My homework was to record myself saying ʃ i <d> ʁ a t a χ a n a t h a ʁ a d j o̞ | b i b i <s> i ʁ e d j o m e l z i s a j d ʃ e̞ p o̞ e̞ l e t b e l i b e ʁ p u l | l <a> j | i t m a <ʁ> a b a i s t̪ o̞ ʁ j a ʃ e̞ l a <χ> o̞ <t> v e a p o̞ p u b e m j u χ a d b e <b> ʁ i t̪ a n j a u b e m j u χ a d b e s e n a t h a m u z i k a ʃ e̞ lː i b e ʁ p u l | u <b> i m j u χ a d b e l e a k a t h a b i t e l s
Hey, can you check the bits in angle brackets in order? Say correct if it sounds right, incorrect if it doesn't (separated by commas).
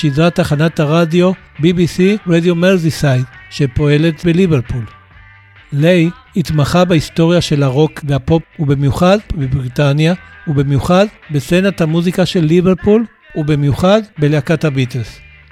correct, correct, incorrect, incorrect, incorrect, incorrect, correct, correct